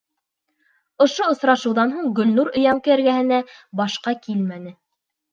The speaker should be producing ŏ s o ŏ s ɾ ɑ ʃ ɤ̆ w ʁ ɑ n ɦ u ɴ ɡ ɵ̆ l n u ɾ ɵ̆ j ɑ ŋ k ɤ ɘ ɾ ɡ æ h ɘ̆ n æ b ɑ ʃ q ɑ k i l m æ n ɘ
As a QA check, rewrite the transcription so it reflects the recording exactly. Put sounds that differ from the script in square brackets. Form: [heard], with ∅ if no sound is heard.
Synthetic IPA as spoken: ŏ [ʃ] o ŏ s ɾ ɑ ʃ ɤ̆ w [ð] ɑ n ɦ u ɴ ɡ ɵ̆ l n u ɾ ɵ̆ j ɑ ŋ k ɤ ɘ ɾ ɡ æ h ɘ̆ n æ b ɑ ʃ q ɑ k i l m æ n ɘ